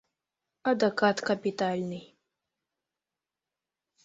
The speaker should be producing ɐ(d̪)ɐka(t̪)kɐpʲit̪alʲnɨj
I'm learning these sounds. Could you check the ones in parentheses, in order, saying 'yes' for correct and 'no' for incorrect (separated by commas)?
yes, yes